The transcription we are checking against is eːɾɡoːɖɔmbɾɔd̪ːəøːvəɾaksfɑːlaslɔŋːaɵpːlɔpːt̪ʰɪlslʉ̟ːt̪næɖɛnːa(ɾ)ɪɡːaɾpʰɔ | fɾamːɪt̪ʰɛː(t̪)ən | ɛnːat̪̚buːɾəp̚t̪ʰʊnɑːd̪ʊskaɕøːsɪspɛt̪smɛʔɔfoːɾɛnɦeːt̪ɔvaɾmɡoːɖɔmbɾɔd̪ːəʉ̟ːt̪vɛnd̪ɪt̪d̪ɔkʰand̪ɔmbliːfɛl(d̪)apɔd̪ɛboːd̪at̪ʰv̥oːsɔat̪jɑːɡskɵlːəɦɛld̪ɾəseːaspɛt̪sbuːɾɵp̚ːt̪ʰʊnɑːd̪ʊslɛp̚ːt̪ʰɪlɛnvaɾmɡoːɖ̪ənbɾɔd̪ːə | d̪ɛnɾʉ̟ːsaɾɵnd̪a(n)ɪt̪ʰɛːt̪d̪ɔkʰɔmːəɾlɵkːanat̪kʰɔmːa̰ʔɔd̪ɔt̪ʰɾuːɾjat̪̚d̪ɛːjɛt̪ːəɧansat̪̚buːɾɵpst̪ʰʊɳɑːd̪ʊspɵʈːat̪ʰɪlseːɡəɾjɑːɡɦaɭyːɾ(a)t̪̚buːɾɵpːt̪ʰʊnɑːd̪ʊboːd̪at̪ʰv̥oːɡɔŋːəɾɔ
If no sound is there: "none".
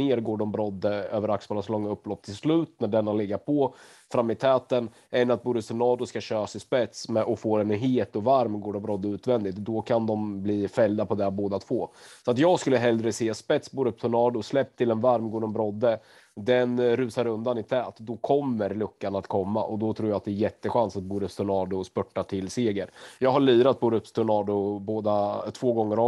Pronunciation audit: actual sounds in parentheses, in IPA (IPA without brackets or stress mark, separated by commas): l, t̪, d̪, n, a